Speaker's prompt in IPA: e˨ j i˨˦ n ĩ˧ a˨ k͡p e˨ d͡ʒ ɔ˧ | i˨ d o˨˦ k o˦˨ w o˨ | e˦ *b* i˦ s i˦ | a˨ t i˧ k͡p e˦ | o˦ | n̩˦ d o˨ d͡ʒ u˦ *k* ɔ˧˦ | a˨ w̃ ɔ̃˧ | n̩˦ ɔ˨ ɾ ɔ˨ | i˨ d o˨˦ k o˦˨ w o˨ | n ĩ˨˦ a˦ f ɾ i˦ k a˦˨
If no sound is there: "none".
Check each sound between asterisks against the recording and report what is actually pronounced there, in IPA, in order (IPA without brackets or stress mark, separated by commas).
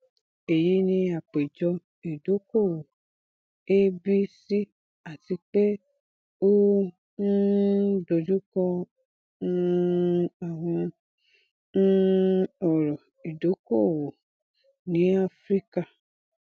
b, k